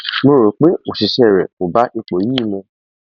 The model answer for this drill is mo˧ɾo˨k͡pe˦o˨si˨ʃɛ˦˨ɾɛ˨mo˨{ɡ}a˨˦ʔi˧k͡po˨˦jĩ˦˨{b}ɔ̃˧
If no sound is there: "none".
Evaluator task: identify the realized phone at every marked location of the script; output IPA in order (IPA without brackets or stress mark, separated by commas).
b, m